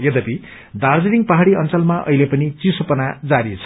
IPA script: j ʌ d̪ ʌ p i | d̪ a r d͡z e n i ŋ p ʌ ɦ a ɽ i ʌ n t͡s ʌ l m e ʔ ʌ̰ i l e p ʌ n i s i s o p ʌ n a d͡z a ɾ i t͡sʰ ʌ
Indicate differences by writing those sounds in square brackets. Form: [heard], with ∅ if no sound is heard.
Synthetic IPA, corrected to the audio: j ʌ d̪ ʌ p i | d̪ a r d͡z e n i ŋ p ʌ ɦ a ɽ i ʌ n t͡s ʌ l m [a] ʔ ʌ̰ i l e p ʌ n i [t͡s] i s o p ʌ n a d͡z a ɾ i t͡sʰ ʌ

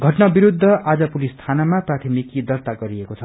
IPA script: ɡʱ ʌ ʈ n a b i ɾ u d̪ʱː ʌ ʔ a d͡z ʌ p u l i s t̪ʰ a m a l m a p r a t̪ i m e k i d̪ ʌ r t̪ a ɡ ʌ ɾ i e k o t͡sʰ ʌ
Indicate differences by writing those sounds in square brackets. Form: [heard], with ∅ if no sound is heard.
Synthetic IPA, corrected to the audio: ɡʱ ʌ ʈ n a b i ɾ u d̪ʱː ʌ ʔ a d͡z ʌ p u l i s t̪ʰ a [n] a [∅] m a p r a [t̪ʰ] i m [i] k i d̪ ʌ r t̪ a ɡ ʌ ɾ i e k o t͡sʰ ʌ

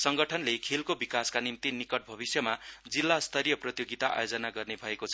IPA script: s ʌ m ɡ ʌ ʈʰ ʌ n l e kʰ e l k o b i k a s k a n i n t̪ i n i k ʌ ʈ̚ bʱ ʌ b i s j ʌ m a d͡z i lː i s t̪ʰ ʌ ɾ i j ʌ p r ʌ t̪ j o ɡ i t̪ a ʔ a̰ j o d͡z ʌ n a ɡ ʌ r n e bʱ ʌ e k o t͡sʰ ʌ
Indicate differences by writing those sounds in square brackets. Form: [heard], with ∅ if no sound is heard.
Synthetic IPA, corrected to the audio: s ʌ [ŋ] ɡ ʌ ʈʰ ʌ n l e kʰ e l k o b i k a s k a n i [m] t̪ i n i k ʌ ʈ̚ bʱ ʌ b i s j ʌ m a d͡z i lː [a] s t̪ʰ ʌ ɾ i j ʌ p r ʌ t̪ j o ɡ i t̪ a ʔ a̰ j o d͡z ʌ n a ɡ ʌ r n e bʱ ʌ e k o t͡sʰ ʌ

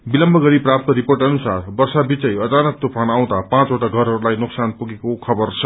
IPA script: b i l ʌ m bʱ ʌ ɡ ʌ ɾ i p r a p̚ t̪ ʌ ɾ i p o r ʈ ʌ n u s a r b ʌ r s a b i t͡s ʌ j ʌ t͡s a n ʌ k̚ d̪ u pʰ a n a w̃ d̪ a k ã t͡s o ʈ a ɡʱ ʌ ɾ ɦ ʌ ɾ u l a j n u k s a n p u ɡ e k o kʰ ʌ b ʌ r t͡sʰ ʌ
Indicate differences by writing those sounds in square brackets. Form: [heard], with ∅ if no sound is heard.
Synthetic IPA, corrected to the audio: b i l ʌ m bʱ ʌ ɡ ʌ ɾ i p r a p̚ t̪ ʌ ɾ i p o r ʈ ʌ n u s a r b ʌ r s a b i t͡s ʌ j ʌ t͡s a n ʌ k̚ [t̪] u pʰ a n a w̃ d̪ a [p] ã t͡s o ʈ a ɡʱ ʌ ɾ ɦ ʌ ɾ u l a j n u k s a n p u ɡ e k o kʰ ʌ b ʌ r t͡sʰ ʌ

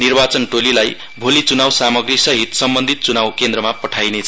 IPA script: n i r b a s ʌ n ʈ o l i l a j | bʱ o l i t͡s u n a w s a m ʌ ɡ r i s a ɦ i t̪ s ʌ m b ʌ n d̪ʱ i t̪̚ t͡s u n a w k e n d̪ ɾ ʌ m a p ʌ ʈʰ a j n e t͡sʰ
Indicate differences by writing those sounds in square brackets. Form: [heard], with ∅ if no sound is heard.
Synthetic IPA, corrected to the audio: n i r b a [t͡s] ʌ n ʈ o l i l a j | bʱ o l i t͡s u n a w s a m ʌ ɡ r i s [ʌ] ɦ i t̪ s ʌ m b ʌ n d̪ʱ i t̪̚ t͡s u n a w k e n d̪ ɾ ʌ m a p ʌ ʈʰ a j n e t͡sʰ

